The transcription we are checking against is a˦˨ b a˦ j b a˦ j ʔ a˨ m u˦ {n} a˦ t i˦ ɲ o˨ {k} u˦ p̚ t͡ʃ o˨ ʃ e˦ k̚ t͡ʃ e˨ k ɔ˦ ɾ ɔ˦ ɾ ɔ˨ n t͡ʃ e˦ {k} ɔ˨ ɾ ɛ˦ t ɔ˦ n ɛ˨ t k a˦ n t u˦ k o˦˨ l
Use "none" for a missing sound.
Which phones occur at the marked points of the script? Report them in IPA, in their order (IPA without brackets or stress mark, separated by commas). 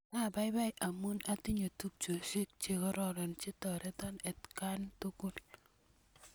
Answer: n, t, t